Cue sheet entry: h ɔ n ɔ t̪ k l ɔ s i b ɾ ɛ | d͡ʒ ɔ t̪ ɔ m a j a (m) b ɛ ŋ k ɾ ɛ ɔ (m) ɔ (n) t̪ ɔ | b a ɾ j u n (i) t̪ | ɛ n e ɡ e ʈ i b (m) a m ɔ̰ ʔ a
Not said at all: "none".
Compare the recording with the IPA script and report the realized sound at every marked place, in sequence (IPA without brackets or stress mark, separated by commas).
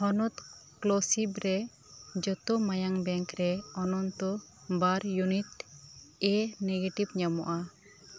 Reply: ŋ, n, n, i, ɲ